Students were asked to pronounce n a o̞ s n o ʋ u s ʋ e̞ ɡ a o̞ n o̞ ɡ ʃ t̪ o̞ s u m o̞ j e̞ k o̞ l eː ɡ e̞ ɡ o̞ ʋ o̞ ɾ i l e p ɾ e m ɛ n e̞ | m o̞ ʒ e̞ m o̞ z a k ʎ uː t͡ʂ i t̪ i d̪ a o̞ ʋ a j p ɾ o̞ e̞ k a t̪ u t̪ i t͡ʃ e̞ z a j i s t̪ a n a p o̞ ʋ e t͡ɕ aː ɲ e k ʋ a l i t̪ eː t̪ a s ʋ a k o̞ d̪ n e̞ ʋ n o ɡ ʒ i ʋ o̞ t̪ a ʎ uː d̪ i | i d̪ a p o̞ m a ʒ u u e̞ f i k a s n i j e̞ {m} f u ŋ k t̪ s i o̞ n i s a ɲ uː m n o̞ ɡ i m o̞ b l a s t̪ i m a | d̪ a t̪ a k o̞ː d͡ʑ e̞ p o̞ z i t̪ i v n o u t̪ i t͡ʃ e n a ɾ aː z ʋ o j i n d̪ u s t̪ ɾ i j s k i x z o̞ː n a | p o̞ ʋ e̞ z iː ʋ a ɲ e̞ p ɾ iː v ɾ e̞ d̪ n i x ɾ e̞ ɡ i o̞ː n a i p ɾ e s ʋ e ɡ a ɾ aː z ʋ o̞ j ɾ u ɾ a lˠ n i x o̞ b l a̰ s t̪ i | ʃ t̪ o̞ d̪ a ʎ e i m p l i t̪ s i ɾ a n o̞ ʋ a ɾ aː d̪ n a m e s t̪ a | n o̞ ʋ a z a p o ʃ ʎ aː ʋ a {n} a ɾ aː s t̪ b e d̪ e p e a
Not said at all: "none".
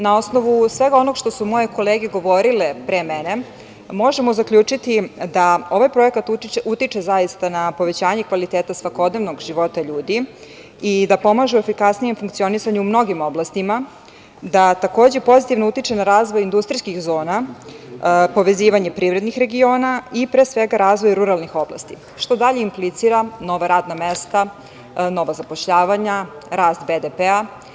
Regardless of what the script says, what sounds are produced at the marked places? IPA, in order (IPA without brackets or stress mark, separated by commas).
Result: m, ɲ